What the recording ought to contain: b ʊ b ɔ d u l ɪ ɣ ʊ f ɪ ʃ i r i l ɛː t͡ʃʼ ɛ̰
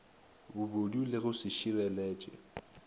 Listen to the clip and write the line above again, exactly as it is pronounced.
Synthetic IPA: b ʊ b o d u l ɪ ɣ ʊ s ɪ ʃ i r ɛ l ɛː t͡ʃʼ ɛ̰